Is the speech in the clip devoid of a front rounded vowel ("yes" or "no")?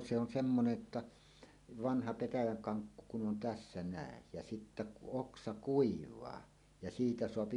yes